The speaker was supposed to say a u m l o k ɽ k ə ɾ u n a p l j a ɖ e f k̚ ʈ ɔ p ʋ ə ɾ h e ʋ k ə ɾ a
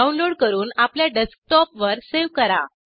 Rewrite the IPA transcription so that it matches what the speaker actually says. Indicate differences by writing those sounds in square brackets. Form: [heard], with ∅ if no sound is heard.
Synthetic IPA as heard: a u [n] l o [∅] ɽ k ə ɾ [uː] n a p l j a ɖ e [s] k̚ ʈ ɔ p ʋ ə ɾ [s] e ʋ k ə ɾ a